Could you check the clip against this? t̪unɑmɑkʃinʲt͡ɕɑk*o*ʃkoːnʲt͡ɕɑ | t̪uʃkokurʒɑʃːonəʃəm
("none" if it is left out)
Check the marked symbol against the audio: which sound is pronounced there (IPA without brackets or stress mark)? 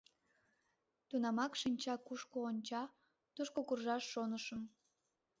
u